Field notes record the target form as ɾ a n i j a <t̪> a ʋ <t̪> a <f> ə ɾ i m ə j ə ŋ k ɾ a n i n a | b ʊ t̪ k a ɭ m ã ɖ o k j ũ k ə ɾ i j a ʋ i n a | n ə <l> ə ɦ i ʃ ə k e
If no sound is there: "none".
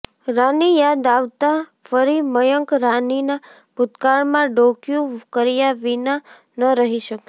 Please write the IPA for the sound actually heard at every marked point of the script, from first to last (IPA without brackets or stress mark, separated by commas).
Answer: d̪, t̪, f, ɾ